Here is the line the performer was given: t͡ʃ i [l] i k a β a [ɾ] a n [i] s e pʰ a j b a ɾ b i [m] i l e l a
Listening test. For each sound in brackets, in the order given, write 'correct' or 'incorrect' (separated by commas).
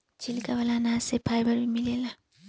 correct, incorrect, incorrect, correct